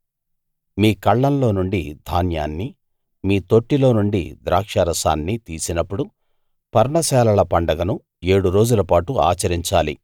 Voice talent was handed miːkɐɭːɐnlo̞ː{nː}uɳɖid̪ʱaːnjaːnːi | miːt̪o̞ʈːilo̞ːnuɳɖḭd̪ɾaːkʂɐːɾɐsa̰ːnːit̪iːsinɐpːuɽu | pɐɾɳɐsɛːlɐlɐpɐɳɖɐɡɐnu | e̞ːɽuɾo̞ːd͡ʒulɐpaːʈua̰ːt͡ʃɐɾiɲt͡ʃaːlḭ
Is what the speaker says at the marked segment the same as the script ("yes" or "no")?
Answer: no